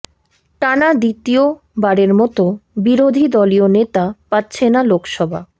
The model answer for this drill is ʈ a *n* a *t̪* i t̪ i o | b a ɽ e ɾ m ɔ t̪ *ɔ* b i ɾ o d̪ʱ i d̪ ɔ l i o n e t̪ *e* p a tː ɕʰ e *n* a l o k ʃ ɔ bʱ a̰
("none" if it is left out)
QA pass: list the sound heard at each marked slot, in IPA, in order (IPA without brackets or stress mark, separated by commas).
n, d̪, o, a, n